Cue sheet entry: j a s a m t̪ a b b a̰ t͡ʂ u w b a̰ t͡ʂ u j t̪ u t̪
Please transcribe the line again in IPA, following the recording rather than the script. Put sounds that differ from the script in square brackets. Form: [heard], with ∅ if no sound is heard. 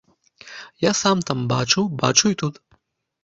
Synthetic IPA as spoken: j a s a m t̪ a [m] b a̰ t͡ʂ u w b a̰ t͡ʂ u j t̪ u t̪